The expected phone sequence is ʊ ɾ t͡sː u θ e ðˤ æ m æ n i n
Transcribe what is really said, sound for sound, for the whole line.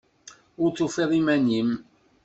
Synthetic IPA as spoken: ʊ ɾ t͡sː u f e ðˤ i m æ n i m

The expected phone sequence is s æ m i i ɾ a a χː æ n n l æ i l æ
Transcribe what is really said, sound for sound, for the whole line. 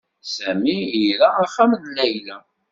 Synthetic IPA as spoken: s æ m i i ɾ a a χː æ m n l æ j l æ

